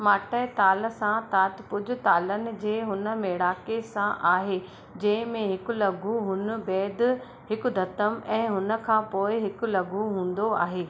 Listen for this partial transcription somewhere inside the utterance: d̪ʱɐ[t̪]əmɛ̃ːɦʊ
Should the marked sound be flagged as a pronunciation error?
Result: no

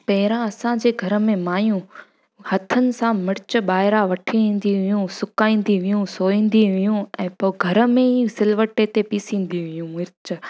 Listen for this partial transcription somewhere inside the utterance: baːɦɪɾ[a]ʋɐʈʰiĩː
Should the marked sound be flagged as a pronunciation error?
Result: no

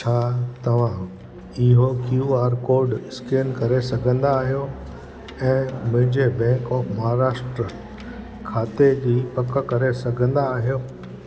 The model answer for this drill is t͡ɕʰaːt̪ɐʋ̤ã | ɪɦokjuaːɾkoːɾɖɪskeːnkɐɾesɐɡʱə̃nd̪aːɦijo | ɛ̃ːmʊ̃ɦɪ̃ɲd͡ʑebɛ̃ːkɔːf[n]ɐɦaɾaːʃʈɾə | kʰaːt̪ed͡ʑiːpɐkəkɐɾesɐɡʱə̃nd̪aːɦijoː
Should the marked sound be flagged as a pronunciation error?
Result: yes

